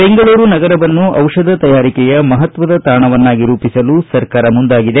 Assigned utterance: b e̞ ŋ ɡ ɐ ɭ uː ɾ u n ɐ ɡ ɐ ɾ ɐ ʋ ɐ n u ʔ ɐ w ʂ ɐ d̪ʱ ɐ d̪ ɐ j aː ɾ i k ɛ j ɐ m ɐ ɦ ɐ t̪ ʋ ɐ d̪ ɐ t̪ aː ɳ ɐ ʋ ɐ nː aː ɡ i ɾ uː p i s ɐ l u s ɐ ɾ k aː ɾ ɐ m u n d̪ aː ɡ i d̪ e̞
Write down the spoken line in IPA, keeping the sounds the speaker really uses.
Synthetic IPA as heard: b e̞ ŋ ɡ ɐ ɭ uː ɾ u n ɐ ɡ ɐ ɾ ɐ ʋ ɐ nː u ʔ ɐ w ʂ ɐ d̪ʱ ɐ t̪ ɐ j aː ɾ i k ɛ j ɐ m ɐ ɦ ɐ t̪ ʋ ɐ d̪ ɐ t̪ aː ɳ ɐ ʋ ɐ nː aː ɡ i ɾ uː p i s ɐ l u s ɐ ɾ k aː ɾ ɐ m u n d̪ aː ɡ i d̪ e̞